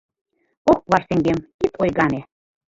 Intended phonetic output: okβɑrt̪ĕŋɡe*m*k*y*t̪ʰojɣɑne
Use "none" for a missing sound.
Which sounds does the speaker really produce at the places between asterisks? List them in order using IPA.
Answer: m, i

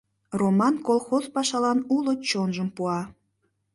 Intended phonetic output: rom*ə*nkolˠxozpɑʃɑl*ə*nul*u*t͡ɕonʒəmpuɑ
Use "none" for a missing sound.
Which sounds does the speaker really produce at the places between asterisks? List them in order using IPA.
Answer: ɑ, ɑ, o

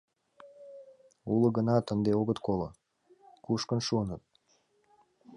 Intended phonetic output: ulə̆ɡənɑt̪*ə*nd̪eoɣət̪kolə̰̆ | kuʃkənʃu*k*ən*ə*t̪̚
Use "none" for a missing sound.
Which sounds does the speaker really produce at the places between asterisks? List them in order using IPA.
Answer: ə, none, ə

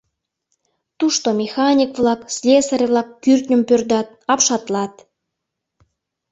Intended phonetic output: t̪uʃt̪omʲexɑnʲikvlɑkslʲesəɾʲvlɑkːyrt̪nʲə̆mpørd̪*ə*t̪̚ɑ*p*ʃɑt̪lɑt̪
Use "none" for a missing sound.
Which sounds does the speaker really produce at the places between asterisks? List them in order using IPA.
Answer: ɑ, p

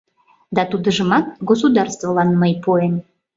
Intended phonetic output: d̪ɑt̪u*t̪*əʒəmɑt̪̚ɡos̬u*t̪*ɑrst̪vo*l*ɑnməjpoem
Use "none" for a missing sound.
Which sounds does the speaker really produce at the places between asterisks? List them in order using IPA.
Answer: d̪, d̪, l

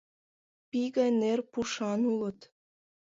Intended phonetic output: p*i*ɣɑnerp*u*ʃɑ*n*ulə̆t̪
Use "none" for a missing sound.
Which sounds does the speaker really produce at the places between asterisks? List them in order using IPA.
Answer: i, u, n

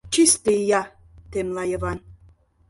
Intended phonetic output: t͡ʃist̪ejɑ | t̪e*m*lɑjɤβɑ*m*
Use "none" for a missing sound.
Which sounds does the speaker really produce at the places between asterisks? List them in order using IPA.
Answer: m, n

